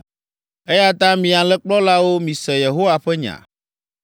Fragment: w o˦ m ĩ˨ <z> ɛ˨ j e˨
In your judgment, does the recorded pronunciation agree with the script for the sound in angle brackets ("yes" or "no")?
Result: no